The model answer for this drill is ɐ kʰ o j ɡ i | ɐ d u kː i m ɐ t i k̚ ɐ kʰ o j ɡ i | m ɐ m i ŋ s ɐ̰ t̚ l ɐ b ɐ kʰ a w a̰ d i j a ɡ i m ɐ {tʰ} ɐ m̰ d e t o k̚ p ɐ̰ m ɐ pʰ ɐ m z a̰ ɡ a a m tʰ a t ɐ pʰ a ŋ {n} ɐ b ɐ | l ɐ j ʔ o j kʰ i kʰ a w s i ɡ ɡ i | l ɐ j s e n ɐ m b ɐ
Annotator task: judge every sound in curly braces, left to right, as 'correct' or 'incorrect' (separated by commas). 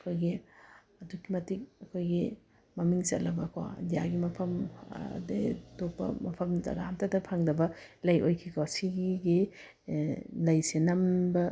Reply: incorrect, incorrect